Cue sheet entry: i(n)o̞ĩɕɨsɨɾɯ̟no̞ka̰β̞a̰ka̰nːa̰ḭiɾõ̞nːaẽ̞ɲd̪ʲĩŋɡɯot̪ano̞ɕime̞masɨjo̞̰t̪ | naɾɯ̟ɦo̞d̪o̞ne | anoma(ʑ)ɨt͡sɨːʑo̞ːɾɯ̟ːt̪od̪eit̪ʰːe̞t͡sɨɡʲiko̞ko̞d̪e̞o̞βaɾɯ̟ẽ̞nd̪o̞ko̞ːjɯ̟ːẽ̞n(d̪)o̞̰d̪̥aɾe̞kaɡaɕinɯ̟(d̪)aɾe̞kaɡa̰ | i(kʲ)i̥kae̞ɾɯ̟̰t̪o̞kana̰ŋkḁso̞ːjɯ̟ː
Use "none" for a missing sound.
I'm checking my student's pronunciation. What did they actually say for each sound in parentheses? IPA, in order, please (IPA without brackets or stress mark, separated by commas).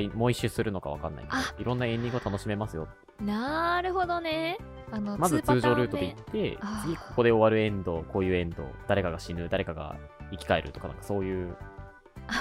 m, z, d̪, d̪, kʲ